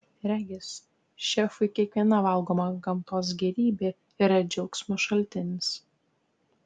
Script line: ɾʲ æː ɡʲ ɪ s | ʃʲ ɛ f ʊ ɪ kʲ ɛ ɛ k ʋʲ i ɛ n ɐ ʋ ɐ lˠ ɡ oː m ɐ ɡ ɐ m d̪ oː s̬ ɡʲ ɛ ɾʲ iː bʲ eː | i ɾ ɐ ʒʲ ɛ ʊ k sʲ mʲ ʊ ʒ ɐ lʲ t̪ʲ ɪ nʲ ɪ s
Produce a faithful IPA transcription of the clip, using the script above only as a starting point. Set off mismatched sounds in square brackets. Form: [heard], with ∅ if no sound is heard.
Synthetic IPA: ɾʲ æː ɡʲ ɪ s | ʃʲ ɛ f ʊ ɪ kʲ [i] ɛ k ʋʲ i ɛ n ɐ ʋ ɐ lˠ ɡ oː m ɐ ɡ ɐ m [t̪] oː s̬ ɡʲ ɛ ɾʲ iː bʲ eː | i ɾ ɐ [d͡ʒʲ] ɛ ʊ k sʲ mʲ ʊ [ʃ] ɐ lʲ t̪ʲ ɪ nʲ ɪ s

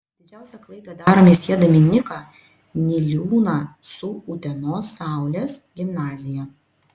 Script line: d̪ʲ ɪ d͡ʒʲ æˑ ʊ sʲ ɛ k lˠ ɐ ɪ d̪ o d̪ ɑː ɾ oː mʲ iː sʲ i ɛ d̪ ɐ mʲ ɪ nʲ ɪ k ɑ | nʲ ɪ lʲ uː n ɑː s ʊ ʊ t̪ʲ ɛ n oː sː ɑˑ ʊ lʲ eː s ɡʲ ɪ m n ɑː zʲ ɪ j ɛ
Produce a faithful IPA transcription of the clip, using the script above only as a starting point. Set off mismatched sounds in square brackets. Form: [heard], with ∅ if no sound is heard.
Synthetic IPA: d̪ʲ ɪ d͡ʒʲ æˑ ʊ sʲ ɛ k lˠ ɐ ɪ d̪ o d̪ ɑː ɾ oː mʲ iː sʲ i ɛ d̪ ɐ mʲ ɪ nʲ ɪ k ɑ | nʲ ɪ lʲ uː n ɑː s ʊ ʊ t̪ʲ ɛ n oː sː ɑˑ ʊ lʲ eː s ɡʲ ɪ m n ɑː zʲ ɪ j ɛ

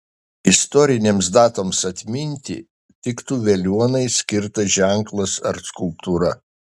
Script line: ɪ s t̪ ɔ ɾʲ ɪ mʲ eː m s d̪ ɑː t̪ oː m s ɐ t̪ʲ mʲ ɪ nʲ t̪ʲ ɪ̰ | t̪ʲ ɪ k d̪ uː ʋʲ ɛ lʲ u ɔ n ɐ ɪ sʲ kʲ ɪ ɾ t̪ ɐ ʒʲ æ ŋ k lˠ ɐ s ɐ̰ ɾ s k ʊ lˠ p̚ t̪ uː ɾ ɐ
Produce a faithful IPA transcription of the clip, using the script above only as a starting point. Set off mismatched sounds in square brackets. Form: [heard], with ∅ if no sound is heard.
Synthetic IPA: ɪ s t̪ ɔ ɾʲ ɪ [nʲ] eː m s d̪ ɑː t̪ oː m s ɐ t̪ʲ mʲ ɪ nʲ t̪ʲ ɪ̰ | t̪ʲ ɪ k [t̪] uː ʋʲ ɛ lʲ u ɔ n ɐ ɪ sʲ kʲ ɪ ɾ t̪ ɐ ʒʲ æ ŋ k lˠ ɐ s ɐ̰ ɾ s k ʊ lˠ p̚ t̪ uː ɾ ɐ

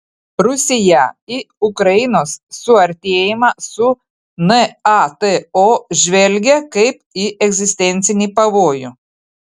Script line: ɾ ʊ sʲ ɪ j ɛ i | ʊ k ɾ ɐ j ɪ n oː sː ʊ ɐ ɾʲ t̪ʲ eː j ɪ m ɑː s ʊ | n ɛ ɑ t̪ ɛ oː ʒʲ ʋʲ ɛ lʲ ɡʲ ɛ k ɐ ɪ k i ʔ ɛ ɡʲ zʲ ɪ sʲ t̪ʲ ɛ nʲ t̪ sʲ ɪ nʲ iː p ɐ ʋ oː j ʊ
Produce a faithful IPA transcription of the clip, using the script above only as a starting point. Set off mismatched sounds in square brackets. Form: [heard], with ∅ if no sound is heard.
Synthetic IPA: ɾ ʊ sʲ ɪ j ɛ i | ʊ k ɾ ɐ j ɪ n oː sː ʊ ɐ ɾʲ t̪ʲ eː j ɪ m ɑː s ʊ | n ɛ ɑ t̪ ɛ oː ʒʲ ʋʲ ɛ lʲ ɡʲ ɛ k ɐ ɪ [p] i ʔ ɛ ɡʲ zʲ ɪ sʲ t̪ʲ ɛ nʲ t̪ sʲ ɪ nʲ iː p ɐ ʋ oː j ʊ

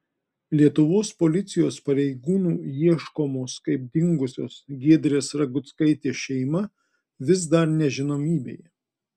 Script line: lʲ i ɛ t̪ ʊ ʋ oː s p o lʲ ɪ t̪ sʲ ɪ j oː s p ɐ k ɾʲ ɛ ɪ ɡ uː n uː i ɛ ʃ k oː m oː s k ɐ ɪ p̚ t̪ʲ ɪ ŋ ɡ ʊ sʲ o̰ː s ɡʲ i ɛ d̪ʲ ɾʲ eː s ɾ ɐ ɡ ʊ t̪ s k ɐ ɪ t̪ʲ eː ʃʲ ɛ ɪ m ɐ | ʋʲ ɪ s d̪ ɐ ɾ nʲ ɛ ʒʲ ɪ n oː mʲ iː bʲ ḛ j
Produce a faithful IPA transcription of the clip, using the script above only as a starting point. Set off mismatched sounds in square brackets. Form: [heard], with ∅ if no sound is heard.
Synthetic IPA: lʲ i ɛ t̪ ʊ ʋ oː s p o lʲ ɪ t̪ sʲ ɪ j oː s p ɐ [∅] ɾʲ ɛ ɪ ɡ uː n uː i ɛ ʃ k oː m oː s k ɐ ɪ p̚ [d̪ʲ] ɪ ŋ ɡ ʊ sʲ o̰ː s ɡʲ i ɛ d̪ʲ ɾʲ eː s ɾ ɐ ɡ ʊ t̪ s k ɐ ɪ t̪ʲ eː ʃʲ ɛ ɪ m ɐ | ʋʲ ɪ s d̪ ɐ ɾ nʲ ɛ ʒʲ ɪ n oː mʲ iː bʲ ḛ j

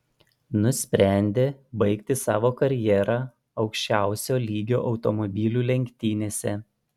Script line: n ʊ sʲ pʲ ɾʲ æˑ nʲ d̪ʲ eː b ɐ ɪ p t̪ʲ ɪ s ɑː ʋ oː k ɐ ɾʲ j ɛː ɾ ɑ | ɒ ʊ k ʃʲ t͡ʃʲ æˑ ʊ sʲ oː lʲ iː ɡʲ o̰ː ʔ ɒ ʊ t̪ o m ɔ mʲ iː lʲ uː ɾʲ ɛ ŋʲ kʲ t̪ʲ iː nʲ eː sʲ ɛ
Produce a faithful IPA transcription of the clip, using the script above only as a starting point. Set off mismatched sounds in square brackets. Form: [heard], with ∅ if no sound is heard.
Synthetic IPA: n ʊ sʲ pʲ ɾʲ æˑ nʲ d̪ʲ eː b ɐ ɪ [k] t̪ʲ ɪ s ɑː ʋ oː k ɐ ɾʲ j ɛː ɾ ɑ | ɒ ʊ k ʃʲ t͡ʃʲ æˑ ʊ sʲ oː lʲ iː ɡʲ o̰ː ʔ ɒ ʊ t̪ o m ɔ [bʲ] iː lʲ uː [lʲ] ɛ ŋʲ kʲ t̪ʲ iː nʲ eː sʲ ɛ

